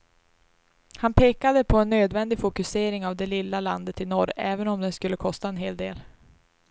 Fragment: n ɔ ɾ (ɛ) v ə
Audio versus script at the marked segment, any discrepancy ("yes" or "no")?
yes